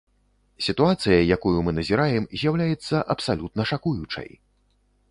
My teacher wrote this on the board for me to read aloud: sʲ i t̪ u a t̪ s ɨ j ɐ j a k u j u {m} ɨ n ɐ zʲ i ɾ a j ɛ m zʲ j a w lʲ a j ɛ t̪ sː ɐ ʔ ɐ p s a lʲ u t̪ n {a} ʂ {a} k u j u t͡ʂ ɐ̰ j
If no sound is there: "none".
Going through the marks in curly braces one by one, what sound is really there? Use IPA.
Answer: m, ɐ, a

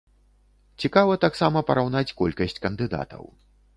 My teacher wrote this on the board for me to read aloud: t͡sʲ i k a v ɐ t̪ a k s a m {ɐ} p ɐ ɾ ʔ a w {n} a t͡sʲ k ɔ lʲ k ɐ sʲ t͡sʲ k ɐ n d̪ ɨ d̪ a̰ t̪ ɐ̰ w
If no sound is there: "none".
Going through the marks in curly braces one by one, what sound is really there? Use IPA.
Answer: ɐ, n

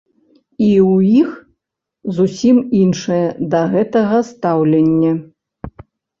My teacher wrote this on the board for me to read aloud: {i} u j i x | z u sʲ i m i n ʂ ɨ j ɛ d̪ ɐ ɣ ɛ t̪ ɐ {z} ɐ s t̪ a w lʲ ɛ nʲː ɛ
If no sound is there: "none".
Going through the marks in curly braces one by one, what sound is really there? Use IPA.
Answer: i, ɣ

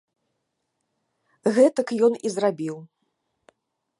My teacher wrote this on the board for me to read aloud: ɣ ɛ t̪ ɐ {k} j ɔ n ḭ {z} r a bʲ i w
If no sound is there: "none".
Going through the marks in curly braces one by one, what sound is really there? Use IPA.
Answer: k, z

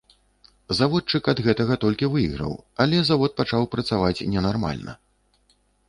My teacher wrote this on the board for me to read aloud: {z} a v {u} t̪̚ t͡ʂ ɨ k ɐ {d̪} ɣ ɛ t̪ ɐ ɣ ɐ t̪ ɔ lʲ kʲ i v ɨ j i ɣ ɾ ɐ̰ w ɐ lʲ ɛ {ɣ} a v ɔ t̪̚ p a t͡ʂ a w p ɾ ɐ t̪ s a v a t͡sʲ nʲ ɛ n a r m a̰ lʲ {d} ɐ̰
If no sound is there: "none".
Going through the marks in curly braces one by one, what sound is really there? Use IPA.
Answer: z, ɔ, d̪, z, n

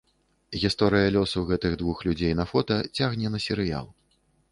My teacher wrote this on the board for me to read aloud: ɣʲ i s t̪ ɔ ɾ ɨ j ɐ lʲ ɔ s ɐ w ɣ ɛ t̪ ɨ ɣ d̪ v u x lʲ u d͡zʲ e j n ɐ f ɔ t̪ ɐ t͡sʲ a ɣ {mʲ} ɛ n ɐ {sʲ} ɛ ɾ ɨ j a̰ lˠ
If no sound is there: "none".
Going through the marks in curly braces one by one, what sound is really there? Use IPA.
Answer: nʲ, sʲ

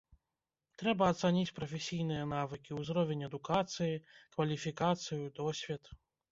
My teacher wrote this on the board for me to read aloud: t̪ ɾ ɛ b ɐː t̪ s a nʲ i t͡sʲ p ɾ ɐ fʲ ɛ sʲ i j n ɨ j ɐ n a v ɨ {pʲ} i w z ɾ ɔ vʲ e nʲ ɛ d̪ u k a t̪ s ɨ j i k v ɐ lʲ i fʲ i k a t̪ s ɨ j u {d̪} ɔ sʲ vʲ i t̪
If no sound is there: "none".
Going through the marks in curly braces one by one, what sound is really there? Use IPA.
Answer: kʲ, d̪

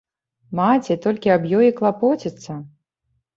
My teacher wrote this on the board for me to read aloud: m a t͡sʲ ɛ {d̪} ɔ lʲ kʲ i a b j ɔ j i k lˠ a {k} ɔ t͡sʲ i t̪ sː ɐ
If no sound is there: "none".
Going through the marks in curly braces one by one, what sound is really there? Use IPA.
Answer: t̪, p

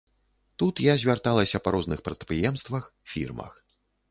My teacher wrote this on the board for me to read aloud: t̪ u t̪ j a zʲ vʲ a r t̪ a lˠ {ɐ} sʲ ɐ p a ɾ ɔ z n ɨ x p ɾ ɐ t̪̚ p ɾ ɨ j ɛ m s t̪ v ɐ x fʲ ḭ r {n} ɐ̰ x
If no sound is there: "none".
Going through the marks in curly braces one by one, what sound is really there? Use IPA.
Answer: ɐ, m

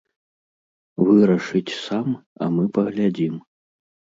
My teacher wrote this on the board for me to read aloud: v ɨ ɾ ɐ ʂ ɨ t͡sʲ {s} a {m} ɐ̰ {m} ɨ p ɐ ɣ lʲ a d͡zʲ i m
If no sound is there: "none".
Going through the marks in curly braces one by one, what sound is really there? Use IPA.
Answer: s, m, m

